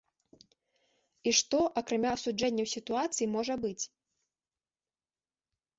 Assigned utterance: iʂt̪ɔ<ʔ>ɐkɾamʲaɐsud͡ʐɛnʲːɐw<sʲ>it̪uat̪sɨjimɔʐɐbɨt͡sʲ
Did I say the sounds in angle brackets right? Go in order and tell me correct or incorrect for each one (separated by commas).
correct, correct